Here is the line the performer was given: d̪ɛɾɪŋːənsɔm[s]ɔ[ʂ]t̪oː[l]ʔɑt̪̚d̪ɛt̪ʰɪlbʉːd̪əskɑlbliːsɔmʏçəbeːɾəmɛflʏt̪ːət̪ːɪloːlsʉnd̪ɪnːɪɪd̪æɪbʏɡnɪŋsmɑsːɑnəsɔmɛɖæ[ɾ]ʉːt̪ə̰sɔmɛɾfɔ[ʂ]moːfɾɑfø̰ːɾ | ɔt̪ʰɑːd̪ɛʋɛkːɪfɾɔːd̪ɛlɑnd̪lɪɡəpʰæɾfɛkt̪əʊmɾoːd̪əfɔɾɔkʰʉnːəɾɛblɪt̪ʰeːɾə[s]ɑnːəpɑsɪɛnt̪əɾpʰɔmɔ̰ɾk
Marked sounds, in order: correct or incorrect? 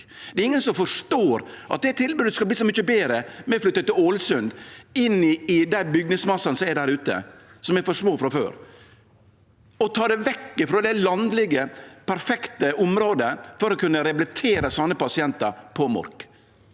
incorrect: f, correct, incorrect: ɾ, correct, correct, correct

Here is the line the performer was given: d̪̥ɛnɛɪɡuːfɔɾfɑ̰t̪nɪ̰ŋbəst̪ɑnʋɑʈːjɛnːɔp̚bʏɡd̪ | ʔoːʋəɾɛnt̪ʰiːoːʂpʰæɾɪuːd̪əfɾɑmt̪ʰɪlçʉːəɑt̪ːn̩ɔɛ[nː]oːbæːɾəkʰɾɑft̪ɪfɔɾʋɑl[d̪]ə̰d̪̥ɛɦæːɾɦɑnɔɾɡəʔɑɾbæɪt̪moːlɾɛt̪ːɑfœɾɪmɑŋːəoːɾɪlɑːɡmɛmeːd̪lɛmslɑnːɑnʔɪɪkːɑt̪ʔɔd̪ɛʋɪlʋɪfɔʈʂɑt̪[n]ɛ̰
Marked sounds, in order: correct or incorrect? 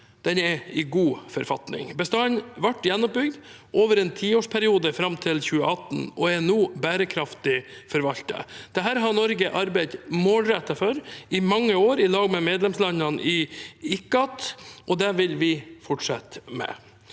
incorrect: n, incorrect: t̪, incorrect: m

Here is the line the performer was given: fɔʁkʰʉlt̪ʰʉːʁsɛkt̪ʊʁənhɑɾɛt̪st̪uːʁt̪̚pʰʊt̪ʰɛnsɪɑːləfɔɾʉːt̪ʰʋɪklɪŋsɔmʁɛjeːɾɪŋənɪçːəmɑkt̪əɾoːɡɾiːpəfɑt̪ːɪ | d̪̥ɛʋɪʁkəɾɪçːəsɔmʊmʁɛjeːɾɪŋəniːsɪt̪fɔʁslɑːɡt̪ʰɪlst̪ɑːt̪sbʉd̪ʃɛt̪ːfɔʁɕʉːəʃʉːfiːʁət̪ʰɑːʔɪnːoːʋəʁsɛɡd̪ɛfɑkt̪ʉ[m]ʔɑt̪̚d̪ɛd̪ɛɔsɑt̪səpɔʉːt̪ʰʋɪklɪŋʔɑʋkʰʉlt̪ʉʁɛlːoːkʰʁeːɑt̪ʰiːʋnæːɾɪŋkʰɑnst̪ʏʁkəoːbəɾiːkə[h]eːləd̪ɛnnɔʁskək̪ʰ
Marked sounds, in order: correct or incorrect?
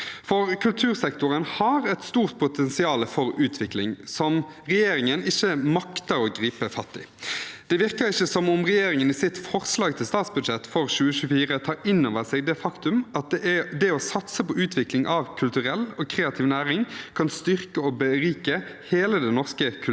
correct, correct

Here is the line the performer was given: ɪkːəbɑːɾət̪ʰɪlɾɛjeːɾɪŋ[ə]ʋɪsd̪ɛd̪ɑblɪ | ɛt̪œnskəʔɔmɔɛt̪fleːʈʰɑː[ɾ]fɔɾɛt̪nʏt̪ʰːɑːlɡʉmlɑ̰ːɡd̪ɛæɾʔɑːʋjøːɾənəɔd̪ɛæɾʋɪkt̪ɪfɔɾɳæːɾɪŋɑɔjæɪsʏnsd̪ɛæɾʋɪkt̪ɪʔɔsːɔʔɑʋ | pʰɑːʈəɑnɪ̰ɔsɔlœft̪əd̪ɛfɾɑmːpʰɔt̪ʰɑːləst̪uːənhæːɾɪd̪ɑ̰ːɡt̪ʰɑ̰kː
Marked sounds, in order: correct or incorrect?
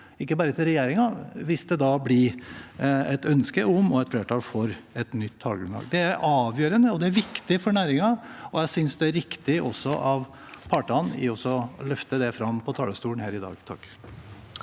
incorrect: ɑ, incorrect: l

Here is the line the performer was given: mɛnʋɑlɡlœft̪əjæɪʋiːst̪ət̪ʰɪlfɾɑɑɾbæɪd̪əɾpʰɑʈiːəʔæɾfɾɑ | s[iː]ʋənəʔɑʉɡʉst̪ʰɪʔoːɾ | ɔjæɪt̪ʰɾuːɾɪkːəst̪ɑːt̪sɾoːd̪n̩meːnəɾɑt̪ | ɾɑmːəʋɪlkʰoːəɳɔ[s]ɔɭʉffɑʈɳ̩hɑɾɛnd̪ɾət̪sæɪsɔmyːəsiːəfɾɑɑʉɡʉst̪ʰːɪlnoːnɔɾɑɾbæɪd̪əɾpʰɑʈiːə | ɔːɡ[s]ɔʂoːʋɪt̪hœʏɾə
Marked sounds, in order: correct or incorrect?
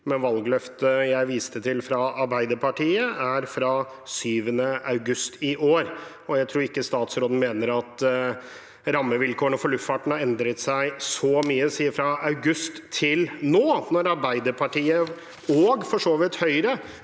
incorrect: yː, incorrect: f, incorrect: f

